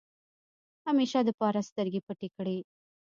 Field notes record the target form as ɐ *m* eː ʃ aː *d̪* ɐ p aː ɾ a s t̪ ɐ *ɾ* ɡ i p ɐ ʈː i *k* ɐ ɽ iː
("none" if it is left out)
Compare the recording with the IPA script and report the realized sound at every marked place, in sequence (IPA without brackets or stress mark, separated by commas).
m, d̪, ɾ, k